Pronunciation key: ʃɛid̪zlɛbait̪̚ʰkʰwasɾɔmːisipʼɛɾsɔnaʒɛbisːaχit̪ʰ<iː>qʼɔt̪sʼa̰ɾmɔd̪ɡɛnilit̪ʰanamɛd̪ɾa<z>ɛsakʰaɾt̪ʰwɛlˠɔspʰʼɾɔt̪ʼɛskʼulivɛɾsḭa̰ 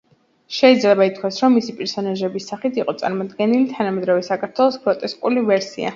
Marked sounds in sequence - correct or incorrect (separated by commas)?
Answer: incorrect, incorrect